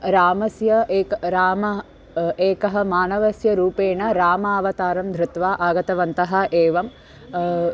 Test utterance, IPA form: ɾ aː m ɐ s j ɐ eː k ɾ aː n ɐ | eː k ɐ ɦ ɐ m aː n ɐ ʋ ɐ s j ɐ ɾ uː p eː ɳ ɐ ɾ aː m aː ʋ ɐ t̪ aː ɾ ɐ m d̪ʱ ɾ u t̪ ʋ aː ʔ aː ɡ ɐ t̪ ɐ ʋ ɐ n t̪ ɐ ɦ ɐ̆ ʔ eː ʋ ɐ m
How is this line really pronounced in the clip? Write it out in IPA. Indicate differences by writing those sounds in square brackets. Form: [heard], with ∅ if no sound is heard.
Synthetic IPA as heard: ɾ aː m ɐ s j ɐ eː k ɾ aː [m] ɐ | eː k ɐ ɦ ɐ m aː n ɐ ʋ ɐ s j ɐ ɾ uː p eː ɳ ɐ ɾ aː m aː ʋ ɐ t̪ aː ɾ ɐ m d̪ʱ ɾ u t̪ ʋ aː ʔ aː ɡ ɐ t̪ ɐ ʋ ɐ n t̪ ɐ ɦ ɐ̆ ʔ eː ʋ ɐ m